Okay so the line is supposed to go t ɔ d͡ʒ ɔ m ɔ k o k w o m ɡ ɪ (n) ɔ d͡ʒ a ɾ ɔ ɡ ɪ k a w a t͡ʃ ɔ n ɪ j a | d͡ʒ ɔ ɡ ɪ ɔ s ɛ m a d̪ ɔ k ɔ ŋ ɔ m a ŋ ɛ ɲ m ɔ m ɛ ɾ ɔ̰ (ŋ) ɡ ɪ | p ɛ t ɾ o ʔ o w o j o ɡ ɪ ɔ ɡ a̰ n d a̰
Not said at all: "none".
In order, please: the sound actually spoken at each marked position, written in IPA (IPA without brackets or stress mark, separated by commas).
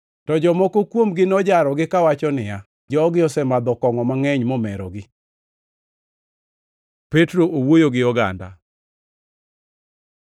n, none